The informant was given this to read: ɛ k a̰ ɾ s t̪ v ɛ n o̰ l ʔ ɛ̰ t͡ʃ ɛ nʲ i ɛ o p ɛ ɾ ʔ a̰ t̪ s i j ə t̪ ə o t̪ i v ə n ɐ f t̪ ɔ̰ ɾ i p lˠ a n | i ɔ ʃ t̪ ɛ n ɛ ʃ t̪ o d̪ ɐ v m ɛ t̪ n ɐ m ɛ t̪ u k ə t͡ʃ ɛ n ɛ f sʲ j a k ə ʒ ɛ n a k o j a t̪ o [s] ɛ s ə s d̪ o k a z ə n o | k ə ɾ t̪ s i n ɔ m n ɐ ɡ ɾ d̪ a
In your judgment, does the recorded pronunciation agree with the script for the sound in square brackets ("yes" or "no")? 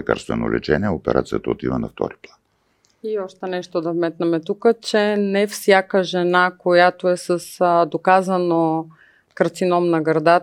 no